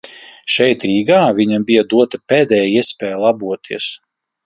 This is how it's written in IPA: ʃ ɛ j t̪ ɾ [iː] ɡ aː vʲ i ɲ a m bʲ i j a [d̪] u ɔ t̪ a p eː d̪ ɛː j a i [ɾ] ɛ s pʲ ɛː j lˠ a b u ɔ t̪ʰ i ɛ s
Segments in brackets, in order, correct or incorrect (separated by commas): correct, correct, incorrect